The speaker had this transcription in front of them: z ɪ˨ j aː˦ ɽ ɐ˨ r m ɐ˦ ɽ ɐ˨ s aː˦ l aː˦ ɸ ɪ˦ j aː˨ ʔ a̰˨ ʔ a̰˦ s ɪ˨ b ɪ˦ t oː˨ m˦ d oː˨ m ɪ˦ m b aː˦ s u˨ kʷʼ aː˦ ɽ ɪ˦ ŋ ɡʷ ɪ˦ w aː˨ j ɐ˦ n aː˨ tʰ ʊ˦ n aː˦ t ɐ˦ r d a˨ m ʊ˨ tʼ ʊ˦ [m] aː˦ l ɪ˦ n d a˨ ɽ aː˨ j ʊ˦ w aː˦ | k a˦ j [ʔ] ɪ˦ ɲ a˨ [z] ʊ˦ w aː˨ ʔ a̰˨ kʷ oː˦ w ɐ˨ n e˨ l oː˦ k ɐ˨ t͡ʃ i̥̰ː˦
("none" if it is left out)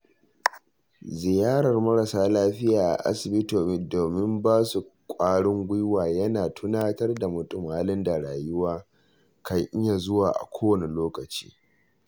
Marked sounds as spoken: m, ʔ, z

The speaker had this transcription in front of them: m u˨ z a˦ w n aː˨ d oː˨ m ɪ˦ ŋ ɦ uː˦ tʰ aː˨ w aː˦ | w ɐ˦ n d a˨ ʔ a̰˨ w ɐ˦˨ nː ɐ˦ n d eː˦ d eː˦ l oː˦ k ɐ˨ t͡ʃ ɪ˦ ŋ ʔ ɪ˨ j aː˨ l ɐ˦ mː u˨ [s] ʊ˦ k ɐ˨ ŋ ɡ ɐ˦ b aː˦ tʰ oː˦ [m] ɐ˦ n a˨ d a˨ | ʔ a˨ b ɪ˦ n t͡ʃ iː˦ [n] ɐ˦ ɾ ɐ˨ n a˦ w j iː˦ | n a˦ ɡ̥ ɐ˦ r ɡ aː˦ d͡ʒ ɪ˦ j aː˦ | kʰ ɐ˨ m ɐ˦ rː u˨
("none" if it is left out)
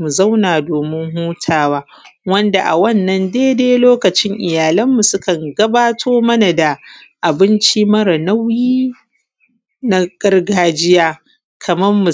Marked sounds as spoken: s, m, m

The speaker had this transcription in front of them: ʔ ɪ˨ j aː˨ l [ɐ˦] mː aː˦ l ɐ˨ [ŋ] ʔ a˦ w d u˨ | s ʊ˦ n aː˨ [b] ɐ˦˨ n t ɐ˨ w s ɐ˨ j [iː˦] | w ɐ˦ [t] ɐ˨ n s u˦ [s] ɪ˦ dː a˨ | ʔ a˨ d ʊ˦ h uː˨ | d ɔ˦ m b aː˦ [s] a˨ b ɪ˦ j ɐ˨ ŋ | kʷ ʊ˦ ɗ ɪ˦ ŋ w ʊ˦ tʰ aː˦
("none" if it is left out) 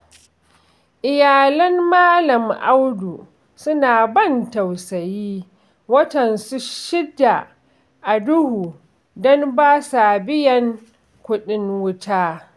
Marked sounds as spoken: ɐ˦, m, b, iː˦, t, ʃ, s

